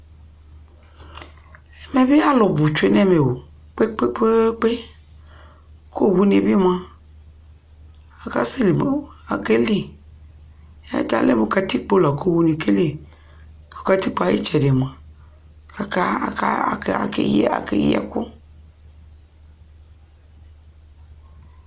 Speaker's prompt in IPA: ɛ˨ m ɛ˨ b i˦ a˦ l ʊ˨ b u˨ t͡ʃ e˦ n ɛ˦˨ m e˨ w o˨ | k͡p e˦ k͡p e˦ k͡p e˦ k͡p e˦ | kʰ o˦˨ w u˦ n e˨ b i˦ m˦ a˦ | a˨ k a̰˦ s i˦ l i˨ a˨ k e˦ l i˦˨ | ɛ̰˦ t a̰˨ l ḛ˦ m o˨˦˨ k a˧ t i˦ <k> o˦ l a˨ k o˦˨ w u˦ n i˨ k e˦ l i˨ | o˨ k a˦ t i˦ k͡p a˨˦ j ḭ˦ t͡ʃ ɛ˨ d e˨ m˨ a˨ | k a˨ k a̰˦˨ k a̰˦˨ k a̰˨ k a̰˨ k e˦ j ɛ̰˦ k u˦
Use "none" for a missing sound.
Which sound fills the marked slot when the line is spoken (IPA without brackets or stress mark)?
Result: k͡p